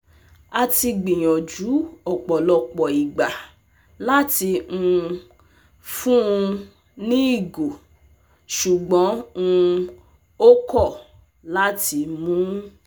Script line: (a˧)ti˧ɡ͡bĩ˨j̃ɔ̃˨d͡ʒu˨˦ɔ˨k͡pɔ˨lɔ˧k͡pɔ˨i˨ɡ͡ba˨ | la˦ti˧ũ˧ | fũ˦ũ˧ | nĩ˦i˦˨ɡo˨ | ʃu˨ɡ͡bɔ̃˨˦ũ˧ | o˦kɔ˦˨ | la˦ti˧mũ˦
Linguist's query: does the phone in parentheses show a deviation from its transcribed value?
no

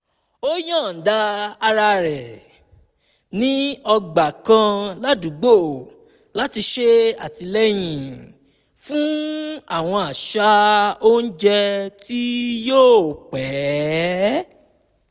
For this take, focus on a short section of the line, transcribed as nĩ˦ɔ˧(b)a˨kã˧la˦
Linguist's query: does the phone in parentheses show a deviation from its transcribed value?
yes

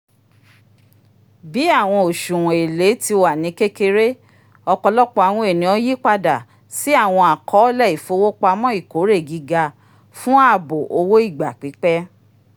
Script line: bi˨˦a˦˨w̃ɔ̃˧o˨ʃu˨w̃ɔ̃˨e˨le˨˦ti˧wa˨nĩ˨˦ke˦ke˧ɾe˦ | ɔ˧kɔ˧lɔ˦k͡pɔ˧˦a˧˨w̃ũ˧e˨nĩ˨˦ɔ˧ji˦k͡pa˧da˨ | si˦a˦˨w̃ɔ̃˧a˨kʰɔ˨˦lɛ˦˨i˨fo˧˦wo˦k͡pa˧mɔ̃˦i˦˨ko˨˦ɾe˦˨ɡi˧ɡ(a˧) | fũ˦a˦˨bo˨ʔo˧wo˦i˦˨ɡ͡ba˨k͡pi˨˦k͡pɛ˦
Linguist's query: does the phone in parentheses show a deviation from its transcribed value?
no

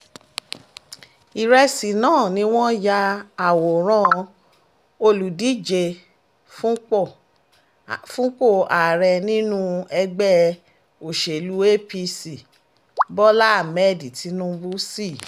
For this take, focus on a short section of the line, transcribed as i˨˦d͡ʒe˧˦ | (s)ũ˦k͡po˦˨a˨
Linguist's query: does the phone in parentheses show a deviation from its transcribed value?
yes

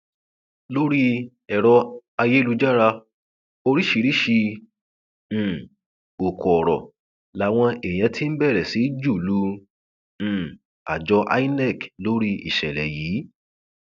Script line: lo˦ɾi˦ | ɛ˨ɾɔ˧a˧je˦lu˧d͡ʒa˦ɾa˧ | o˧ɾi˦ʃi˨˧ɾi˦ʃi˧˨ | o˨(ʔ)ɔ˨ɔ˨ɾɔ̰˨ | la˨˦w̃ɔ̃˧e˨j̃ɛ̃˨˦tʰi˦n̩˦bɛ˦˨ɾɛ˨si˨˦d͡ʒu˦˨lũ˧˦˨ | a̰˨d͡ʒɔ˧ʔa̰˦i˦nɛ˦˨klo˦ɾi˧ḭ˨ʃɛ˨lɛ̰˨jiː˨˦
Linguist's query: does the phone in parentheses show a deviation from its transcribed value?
yes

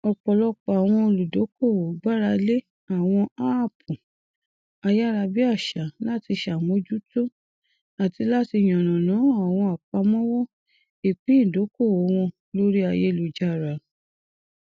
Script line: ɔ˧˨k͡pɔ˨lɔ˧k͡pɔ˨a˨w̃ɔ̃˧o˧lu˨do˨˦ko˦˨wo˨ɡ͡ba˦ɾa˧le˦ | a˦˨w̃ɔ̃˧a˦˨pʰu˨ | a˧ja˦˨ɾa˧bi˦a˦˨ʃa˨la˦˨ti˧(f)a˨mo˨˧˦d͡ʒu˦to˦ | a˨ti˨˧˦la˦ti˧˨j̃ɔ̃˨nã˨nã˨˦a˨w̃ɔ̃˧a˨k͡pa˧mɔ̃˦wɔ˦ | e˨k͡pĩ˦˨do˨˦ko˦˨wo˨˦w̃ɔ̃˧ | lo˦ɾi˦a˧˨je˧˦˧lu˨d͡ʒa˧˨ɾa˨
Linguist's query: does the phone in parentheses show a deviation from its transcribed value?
yes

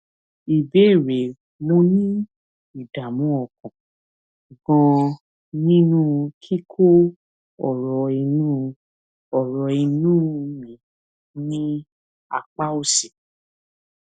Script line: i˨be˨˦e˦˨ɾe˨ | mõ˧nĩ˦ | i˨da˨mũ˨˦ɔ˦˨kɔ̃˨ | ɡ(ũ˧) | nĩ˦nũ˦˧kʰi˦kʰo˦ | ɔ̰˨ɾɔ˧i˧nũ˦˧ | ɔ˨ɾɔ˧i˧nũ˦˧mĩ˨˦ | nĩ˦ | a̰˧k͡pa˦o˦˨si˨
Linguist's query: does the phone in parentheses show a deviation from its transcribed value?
yes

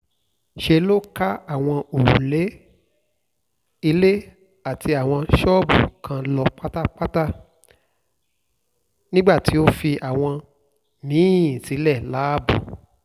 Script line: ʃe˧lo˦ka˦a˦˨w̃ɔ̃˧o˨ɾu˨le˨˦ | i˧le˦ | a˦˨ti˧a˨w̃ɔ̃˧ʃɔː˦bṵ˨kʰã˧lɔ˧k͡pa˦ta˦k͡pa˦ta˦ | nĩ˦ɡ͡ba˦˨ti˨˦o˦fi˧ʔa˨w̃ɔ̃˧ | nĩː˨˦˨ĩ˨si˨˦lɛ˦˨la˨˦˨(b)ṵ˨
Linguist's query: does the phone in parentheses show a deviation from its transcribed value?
no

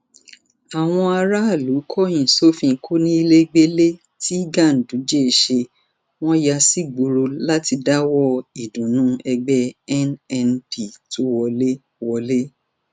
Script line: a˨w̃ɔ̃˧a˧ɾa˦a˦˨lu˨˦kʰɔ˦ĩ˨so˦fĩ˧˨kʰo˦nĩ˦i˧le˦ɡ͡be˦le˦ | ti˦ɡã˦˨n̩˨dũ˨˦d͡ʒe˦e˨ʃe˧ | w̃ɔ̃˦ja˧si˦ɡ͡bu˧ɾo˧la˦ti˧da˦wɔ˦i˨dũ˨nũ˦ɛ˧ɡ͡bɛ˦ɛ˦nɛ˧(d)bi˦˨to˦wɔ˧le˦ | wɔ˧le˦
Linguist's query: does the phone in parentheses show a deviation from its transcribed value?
yes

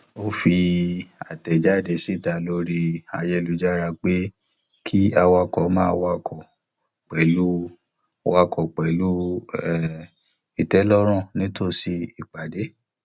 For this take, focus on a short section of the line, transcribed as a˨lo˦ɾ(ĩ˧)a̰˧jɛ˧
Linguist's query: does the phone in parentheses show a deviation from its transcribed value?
yes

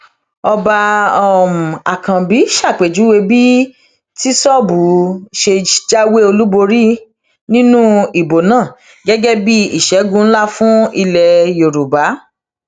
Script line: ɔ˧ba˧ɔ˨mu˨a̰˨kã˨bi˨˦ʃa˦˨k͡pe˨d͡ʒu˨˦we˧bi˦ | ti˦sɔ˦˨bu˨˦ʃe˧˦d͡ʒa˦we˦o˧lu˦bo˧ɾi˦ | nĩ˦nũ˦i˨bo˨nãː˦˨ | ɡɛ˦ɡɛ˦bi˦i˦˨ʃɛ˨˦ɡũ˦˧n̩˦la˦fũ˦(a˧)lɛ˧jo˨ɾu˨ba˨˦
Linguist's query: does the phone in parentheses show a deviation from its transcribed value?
yes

